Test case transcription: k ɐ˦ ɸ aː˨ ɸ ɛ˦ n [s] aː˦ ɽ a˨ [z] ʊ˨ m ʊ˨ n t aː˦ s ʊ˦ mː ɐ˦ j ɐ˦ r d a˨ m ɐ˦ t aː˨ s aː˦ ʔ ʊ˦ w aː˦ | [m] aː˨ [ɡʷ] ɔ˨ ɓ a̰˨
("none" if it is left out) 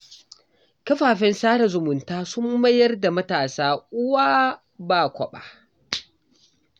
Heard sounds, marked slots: s, z, b, kʷ

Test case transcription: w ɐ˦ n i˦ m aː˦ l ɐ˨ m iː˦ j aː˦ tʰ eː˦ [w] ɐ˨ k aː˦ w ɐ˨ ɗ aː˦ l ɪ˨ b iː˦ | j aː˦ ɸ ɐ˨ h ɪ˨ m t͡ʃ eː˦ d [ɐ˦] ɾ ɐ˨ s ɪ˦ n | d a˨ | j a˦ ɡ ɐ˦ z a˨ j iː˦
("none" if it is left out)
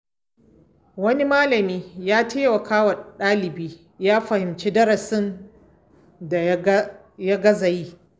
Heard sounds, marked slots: w, ɐ˦

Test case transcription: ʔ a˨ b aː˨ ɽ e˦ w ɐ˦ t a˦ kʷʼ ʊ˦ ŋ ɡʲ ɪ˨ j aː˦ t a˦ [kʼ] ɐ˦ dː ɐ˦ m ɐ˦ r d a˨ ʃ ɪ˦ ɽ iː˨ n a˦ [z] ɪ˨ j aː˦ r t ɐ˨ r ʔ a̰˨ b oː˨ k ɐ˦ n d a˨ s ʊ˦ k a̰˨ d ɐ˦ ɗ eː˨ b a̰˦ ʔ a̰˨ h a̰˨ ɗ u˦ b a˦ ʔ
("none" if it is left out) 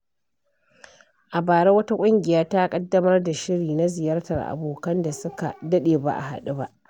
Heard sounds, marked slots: kʼ, z

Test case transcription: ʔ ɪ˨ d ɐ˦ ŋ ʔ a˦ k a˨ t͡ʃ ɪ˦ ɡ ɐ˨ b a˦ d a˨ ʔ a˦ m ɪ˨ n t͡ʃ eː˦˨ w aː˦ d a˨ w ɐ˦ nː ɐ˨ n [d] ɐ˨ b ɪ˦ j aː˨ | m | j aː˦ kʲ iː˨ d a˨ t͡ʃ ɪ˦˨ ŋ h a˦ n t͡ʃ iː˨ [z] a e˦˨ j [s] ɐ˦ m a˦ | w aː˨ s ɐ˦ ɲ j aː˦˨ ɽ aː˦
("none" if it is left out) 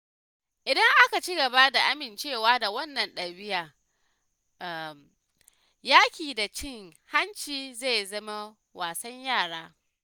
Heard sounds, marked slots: ɗ, z, z

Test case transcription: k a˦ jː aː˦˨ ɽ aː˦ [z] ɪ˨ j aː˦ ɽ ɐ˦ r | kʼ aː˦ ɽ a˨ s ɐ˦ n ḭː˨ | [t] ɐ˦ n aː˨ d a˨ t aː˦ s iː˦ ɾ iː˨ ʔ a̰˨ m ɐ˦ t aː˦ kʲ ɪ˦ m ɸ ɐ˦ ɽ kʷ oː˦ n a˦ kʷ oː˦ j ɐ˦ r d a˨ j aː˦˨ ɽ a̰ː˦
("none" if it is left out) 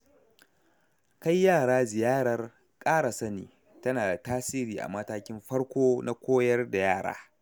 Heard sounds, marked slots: z, t

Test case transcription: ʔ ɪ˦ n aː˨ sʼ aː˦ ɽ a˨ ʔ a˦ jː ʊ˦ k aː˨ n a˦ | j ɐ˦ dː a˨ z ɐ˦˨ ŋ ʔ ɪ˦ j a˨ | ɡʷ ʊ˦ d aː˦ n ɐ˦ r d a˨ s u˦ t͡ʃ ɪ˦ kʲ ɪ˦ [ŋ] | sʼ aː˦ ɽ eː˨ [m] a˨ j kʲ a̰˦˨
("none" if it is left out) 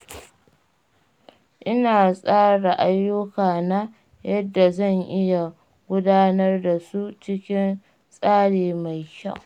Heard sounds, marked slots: n, m

